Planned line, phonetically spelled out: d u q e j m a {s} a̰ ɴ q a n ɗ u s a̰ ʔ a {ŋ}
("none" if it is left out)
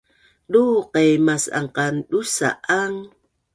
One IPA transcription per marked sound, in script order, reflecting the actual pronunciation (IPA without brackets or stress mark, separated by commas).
s, ŋ